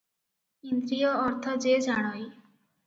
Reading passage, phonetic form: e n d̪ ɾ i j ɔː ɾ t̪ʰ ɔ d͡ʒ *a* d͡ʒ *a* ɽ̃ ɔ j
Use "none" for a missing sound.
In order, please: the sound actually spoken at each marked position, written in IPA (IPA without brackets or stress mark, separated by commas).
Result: e, a